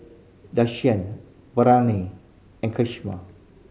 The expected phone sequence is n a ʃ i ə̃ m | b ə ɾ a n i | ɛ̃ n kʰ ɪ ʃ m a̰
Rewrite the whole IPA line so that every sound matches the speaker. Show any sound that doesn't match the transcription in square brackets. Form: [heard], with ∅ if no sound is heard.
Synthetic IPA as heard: [d] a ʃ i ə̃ [n] | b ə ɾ a n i | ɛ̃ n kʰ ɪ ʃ m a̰